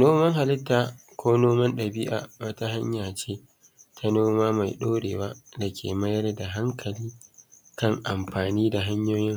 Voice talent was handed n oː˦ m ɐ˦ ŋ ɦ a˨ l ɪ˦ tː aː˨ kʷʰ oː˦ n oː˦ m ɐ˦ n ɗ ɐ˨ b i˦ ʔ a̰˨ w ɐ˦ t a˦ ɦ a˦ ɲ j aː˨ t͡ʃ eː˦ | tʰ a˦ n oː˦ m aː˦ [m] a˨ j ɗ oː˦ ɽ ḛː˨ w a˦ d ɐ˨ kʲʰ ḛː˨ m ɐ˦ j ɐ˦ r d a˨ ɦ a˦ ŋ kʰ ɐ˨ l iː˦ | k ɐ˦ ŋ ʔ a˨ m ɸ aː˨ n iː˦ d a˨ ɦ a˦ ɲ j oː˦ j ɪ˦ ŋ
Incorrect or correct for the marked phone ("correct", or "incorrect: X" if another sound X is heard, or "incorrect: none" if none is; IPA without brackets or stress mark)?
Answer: correct